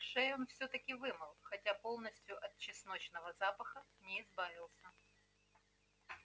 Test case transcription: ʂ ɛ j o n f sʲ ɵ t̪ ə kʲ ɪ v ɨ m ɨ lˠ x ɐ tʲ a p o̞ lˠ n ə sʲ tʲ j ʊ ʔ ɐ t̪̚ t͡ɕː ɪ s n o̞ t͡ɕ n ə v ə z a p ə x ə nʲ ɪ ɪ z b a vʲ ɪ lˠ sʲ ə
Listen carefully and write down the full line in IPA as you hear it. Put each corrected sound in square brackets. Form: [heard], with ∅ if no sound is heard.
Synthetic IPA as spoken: ʂ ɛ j o n f sʲ ɵ t̪ ə kʲ ɪ v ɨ m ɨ lˠ x ɐ tʲ a p o̞ lˠ n ə sʲ tʲ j ʊ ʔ ɐ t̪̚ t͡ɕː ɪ s n o̞ t͡ɕ n ə v ə z a p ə x ə nʲ ɪ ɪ z b a vʲ ɪ lˠ sʲ ə